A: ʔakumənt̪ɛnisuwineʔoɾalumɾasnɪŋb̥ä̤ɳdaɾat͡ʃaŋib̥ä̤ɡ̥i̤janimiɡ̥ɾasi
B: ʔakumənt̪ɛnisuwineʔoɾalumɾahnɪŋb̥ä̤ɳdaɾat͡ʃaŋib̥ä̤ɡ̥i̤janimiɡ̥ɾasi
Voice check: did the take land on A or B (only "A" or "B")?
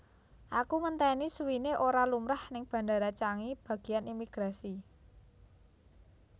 B